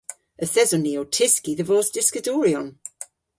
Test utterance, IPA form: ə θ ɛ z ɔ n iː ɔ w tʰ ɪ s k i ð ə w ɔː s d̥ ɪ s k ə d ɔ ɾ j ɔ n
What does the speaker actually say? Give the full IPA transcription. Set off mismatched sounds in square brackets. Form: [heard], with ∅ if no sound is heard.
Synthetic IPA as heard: ə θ ɛ z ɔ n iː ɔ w tʰ ɪ s k i ð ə [v] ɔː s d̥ ɪ s k ə d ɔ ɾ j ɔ n